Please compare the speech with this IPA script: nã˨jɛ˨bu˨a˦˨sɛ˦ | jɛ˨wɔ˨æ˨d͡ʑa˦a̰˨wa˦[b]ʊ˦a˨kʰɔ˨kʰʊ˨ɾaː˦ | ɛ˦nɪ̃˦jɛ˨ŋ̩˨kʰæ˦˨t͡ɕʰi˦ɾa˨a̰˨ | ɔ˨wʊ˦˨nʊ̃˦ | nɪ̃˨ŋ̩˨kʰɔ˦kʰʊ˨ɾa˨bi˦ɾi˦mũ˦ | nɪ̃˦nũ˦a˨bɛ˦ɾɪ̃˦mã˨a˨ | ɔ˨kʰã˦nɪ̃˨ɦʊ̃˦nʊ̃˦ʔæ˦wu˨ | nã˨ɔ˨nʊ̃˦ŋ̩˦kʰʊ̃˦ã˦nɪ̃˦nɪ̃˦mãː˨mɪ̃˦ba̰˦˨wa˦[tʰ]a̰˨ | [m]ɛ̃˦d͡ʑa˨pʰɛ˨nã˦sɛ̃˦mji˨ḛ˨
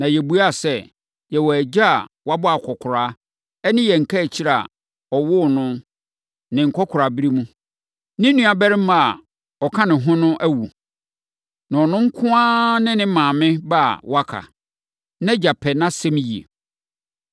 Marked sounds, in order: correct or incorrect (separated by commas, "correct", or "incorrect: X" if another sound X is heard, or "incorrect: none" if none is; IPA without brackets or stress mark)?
correct, incorrect: kʰ, incorrect: n